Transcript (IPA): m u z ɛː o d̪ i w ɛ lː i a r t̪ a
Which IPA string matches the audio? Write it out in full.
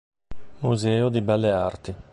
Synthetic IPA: m u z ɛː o d̪ i b ɛ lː e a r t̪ i